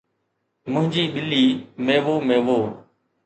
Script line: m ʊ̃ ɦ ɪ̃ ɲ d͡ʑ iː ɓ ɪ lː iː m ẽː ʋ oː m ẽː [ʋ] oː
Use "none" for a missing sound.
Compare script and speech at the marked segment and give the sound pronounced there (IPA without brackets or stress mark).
ʋ